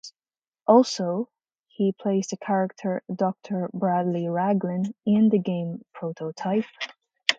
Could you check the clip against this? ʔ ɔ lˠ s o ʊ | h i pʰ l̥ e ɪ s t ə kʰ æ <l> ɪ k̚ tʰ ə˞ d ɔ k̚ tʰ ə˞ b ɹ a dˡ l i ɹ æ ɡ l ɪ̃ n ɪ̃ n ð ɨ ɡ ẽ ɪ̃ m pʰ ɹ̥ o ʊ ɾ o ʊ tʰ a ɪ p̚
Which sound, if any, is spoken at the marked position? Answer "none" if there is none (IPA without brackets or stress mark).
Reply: ɹ